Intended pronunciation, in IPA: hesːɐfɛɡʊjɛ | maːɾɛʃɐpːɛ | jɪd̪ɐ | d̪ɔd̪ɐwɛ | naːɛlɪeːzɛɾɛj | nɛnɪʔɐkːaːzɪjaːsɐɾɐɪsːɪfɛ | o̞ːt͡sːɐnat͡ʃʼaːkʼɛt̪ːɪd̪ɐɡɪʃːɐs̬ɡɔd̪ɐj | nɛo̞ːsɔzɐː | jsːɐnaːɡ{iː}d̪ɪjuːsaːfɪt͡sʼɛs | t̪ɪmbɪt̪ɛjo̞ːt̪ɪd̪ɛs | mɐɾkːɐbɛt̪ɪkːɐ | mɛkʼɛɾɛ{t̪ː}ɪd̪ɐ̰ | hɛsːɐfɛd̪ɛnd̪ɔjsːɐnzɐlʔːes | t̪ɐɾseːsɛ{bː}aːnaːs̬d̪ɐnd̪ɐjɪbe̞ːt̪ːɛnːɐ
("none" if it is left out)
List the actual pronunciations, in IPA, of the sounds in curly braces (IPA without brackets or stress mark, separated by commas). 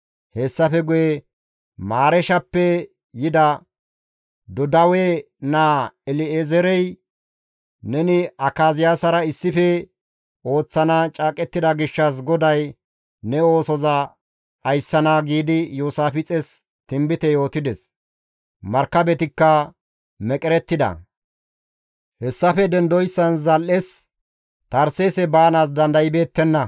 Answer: iː, t̪ː, b